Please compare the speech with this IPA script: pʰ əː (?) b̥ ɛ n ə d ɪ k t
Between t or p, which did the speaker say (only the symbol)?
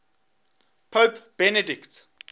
p